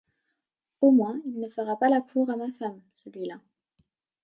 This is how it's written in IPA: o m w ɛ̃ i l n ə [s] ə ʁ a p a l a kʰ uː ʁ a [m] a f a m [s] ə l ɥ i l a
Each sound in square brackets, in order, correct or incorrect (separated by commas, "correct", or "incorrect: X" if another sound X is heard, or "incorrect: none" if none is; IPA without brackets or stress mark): incorrect: f, correct, correct